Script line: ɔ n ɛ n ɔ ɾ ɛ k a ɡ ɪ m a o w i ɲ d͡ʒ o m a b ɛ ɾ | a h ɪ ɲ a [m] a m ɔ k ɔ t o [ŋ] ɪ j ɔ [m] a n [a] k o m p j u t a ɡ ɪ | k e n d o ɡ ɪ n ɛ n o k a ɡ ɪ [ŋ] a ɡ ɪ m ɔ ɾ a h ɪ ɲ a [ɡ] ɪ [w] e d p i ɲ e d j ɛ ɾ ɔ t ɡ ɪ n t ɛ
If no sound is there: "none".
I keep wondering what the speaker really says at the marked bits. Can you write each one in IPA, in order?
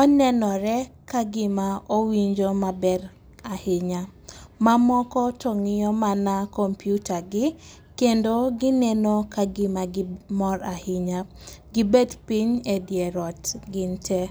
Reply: m, ŋ, m, a, m, ɡ, b

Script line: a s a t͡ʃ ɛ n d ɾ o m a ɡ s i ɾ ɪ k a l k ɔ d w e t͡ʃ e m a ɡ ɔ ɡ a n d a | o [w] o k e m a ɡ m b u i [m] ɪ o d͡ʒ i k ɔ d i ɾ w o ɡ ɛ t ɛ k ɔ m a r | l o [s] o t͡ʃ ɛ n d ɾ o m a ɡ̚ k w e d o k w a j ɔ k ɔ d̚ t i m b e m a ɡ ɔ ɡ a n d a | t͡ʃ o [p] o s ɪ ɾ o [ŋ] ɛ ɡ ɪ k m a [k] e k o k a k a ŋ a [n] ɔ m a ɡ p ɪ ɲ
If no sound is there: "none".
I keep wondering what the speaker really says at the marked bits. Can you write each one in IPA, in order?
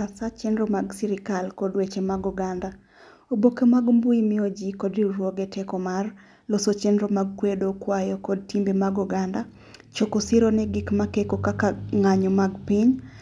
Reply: b, m, s, k, n, k, ɲ

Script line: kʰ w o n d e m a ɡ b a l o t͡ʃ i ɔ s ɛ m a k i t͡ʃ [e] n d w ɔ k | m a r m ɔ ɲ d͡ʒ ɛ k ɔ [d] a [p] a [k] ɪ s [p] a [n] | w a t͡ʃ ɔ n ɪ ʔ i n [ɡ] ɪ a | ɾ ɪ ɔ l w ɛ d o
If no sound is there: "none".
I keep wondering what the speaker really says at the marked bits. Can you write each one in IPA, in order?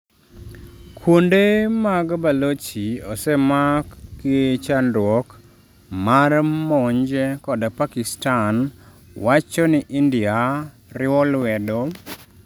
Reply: a, d, p, k, t, n, d

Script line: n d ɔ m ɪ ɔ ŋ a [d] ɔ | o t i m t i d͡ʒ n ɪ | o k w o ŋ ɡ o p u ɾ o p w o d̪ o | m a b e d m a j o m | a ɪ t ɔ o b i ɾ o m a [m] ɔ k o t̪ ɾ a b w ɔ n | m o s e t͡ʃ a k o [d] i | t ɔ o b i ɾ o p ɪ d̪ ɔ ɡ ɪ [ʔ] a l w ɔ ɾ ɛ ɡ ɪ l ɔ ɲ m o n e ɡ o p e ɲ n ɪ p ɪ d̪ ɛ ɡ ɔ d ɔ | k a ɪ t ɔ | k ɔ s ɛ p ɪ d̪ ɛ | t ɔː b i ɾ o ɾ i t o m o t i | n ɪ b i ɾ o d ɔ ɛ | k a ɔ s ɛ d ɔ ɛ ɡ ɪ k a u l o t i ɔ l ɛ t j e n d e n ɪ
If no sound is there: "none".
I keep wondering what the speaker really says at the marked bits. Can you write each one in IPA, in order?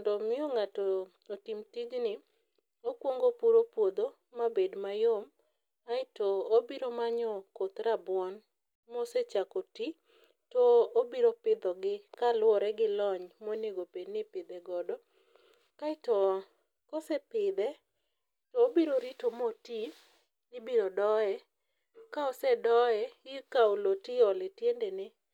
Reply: t, ɲ, t, k

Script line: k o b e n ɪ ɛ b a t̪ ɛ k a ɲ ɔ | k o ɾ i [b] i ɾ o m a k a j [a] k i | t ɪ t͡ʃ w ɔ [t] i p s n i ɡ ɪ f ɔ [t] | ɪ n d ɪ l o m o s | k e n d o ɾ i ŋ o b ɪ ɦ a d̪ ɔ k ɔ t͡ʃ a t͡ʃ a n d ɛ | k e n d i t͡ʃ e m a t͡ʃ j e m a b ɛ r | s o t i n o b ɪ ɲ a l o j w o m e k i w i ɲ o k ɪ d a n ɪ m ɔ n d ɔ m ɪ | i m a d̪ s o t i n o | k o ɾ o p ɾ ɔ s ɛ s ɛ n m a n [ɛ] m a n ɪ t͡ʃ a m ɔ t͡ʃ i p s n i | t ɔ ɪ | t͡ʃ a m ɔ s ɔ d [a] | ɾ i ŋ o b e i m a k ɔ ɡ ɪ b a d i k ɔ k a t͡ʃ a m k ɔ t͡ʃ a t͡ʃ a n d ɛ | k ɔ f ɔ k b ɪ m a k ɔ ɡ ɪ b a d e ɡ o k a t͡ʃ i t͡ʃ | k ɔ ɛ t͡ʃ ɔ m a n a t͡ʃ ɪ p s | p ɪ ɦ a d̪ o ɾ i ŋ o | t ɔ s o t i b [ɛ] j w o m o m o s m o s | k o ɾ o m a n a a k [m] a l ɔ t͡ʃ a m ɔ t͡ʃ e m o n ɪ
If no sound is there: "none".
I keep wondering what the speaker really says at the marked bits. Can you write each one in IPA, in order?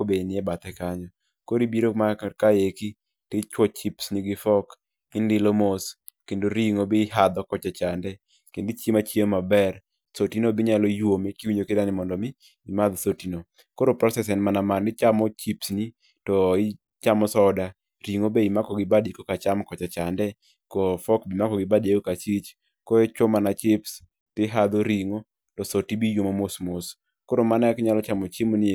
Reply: b, e, t͡ʃ, k, a, a, i, ɲ

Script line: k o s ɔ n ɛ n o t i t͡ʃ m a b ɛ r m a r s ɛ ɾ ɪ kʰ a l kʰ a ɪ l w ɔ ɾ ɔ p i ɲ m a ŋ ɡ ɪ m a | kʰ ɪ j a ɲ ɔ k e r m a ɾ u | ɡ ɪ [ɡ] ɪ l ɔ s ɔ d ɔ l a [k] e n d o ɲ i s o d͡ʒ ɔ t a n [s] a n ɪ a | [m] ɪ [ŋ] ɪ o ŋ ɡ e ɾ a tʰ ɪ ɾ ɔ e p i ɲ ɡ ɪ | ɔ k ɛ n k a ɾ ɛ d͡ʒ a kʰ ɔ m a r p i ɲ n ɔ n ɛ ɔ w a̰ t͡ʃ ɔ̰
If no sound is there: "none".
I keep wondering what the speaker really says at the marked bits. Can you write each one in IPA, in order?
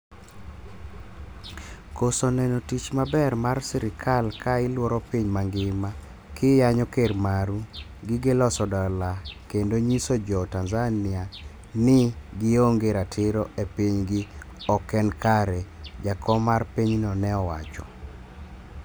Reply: ɡ, k, z, n, ɡ

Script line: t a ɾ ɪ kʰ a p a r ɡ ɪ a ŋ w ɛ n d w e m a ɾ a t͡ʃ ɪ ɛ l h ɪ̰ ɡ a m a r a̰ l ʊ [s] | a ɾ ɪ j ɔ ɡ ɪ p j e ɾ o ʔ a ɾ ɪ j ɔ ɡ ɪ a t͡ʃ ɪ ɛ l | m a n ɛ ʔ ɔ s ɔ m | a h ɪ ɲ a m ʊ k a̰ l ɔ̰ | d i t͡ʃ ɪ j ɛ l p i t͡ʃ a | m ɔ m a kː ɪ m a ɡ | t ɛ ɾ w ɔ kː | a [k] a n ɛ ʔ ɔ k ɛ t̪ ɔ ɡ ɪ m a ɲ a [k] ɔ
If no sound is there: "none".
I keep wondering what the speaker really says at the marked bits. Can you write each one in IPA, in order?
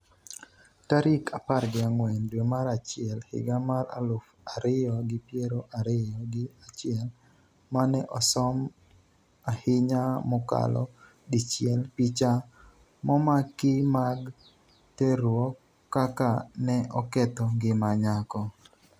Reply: f, k, k

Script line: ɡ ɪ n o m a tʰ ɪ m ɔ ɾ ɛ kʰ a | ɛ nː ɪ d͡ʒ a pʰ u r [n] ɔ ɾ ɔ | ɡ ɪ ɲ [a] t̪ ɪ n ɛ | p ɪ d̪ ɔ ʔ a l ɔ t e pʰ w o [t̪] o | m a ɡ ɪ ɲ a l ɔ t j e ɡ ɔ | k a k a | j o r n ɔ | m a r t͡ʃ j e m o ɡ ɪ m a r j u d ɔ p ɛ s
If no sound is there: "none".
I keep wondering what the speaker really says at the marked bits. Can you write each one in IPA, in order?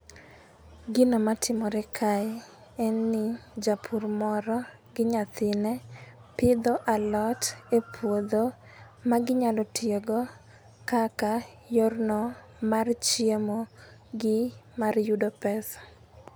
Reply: m, a, d̪

